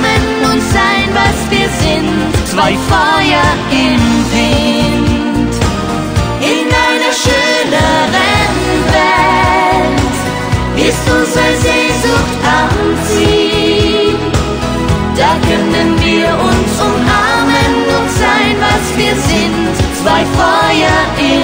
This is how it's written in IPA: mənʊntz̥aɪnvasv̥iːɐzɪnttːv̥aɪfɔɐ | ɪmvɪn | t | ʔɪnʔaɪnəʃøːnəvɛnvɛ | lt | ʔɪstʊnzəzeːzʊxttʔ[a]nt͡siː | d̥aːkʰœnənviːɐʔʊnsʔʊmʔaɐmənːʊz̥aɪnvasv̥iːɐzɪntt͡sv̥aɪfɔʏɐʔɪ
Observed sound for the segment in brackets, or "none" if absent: a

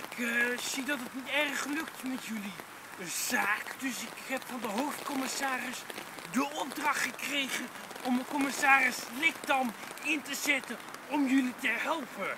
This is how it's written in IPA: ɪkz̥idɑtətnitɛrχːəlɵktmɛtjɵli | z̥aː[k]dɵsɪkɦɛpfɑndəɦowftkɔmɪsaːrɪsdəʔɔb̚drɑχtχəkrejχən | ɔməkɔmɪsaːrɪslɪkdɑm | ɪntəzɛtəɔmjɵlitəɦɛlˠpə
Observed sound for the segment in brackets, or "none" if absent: k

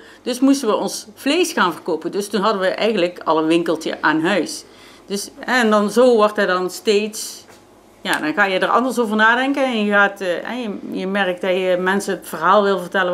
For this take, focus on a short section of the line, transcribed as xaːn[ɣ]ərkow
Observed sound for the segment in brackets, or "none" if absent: v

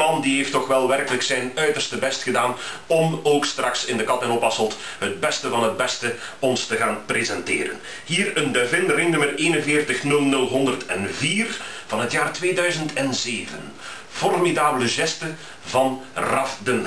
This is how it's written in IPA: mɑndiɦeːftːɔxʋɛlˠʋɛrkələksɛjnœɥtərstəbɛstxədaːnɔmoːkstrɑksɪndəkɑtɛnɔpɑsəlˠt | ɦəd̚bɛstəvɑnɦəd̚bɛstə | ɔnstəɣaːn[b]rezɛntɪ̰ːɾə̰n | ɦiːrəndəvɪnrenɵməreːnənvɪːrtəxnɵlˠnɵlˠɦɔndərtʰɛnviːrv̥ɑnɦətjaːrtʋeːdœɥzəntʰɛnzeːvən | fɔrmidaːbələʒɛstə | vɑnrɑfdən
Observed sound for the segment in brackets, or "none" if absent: p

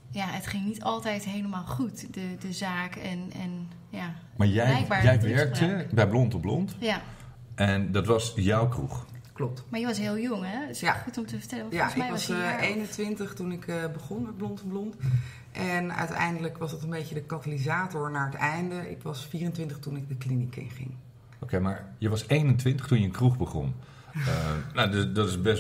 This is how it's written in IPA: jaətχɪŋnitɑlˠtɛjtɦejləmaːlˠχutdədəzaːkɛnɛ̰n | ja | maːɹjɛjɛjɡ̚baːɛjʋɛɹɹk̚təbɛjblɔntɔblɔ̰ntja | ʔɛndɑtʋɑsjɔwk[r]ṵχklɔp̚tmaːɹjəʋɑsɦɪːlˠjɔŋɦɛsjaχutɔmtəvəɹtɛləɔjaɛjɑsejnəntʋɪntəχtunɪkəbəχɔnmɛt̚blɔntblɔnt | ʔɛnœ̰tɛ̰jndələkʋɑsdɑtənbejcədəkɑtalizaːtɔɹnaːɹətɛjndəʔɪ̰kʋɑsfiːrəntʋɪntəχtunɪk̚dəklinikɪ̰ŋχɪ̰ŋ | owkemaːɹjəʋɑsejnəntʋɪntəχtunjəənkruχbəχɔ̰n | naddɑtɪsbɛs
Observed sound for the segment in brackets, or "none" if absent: r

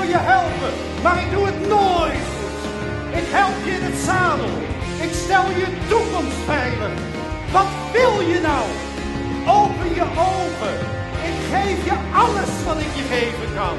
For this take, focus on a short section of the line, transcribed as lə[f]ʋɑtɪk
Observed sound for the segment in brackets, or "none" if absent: s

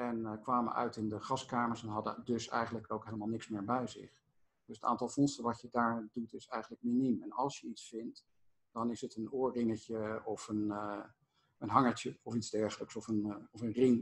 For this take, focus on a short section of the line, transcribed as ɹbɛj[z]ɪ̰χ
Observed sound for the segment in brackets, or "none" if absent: z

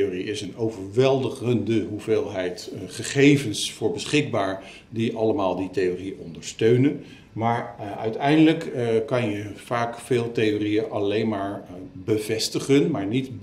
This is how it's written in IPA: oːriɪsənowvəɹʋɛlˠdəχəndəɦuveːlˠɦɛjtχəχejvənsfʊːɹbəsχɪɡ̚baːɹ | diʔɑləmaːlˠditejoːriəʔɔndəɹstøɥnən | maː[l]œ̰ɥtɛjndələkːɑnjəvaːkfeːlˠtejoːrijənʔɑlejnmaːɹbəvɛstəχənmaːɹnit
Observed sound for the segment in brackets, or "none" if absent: ɹ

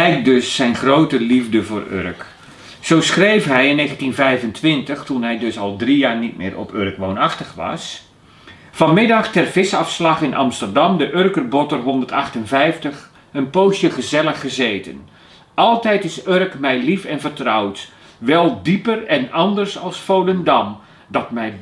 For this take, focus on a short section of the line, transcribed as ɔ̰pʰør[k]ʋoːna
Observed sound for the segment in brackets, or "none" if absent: k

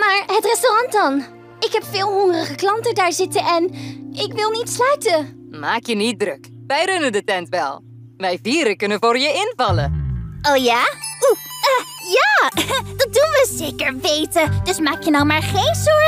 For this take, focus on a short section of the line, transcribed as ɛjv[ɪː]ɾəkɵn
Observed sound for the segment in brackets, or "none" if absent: iː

